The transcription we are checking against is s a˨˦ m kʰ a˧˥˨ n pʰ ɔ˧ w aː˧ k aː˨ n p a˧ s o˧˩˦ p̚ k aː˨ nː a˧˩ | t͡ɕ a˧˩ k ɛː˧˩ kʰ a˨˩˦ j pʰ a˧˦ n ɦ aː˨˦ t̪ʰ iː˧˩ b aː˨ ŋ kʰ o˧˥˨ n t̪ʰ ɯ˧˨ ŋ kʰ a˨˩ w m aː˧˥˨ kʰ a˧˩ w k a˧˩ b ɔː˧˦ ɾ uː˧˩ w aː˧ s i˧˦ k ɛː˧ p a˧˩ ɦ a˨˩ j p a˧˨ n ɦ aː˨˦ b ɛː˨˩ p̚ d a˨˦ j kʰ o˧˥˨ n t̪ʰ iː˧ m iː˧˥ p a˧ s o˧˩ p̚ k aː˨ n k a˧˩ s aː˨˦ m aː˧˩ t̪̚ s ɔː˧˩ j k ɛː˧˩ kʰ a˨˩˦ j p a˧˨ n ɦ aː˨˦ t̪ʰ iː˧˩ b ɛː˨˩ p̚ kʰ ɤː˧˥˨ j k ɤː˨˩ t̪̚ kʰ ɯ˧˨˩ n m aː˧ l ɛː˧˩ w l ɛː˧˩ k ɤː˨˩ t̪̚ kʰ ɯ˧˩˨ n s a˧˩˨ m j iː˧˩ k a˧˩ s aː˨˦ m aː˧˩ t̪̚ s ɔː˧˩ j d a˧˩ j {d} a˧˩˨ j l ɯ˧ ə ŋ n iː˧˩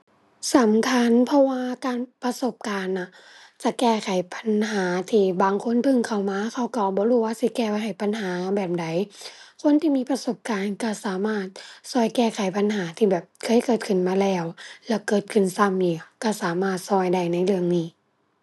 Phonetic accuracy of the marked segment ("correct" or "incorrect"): incorrect